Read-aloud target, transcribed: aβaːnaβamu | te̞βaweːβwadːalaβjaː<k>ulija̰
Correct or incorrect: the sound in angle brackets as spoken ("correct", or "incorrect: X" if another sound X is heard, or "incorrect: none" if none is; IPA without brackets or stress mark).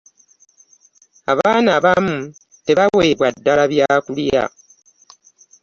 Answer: correct